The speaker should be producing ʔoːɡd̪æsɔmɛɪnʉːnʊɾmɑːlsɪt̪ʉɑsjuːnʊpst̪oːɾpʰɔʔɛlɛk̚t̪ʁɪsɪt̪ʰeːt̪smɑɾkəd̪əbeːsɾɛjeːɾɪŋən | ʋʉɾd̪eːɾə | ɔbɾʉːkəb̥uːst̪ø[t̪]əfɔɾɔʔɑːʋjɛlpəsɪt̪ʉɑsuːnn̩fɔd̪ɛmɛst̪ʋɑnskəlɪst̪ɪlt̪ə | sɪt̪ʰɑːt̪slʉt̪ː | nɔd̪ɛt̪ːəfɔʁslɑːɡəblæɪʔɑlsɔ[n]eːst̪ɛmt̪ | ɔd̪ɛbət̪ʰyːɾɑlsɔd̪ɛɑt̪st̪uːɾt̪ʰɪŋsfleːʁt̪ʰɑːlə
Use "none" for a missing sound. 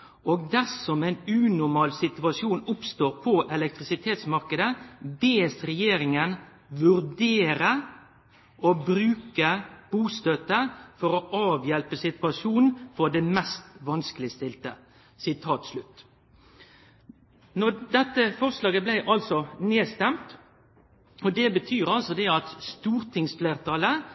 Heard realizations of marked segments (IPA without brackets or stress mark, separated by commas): t̪, n